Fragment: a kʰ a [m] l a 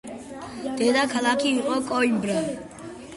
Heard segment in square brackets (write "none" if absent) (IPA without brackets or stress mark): none